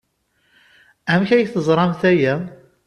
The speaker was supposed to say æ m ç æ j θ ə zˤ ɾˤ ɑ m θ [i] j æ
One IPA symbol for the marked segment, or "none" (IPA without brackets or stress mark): æ